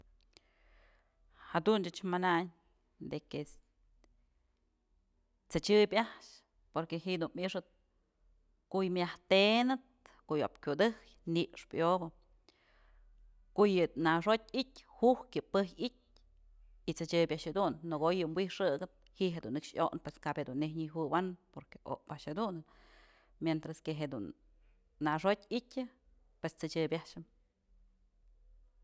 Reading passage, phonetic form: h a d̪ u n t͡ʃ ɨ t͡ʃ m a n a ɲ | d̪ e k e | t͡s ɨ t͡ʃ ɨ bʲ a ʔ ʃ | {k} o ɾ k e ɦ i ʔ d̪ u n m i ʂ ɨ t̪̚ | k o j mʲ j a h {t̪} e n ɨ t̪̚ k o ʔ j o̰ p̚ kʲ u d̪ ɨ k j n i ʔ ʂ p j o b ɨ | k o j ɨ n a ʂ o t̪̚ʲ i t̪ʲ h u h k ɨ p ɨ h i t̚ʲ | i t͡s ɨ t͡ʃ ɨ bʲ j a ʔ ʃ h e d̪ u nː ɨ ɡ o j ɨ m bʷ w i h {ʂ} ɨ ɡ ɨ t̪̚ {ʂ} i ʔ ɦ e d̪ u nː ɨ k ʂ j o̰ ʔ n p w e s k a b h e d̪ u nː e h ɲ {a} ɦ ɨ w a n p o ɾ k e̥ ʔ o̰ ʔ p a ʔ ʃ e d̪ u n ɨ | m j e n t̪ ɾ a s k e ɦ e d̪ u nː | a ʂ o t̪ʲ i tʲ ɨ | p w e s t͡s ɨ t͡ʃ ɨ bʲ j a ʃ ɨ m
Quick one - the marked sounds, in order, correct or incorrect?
incorrect, correct, correct, incorrect, incorrect

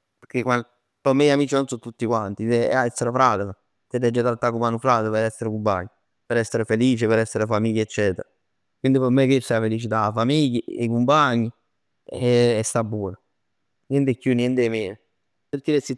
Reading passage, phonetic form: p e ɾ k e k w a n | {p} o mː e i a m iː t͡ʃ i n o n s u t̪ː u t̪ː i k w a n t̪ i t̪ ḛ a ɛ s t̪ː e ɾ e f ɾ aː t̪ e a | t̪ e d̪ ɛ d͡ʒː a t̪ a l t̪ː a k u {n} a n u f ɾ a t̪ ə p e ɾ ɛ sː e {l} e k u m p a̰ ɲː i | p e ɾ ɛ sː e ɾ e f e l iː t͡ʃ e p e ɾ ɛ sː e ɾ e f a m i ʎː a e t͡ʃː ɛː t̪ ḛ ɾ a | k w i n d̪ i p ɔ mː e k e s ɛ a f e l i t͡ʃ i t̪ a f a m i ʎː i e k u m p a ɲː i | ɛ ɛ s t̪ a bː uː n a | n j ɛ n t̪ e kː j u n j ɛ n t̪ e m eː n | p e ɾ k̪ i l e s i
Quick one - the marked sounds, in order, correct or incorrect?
correct, incorrect, incorrect

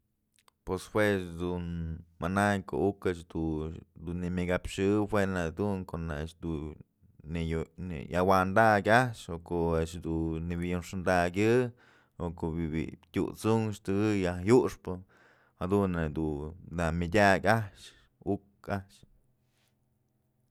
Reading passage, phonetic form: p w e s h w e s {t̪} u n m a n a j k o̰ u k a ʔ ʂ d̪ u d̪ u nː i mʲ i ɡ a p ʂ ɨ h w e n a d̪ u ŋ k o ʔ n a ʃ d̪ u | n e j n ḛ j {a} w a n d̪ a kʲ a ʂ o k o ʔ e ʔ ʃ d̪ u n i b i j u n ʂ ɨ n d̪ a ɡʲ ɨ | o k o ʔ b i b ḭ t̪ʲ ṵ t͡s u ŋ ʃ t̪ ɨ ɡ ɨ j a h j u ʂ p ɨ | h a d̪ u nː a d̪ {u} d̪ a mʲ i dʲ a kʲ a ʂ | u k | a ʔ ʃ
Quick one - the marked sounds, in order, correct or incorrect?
incorrect, correct, correct

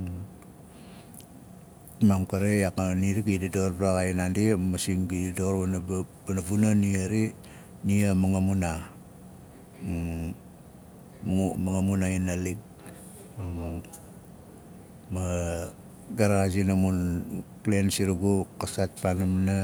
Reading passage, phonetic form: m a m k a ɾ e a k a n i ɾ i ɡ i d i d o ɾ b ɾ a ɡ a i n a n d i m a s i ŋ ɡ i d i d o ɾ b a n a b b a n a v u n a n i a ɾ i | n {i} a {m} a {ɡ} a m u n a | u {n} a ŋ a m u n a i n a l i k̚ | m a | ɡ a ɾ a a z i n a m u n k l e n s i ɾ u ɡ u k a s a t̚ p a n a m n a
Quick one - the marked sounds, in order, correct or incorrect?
correct, correct, incorrect, incorrect

